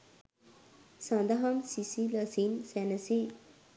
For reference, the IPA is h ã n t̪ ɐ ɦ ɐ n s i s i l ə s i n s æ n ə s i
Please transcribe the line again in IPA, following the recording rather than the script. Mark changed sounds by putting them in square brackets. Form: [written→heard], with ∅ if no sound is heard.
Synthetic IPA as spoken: [h→s] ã n [t̪→d̪] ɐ ɦ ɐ [n→m] s i s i l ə s i n s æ n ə s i